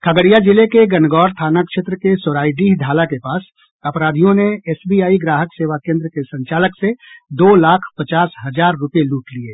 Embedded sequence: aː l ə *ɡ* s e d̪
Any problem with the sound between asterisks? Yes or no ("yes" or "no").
yes